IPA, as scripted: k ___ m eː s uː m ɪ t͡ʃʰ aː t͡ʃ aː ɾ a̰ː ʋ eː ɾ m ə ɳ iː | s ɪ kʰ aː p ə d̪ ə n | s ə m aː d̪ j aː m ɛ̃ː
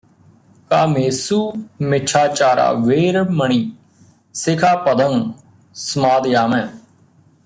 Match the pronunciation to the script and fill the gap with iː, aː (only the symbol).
aː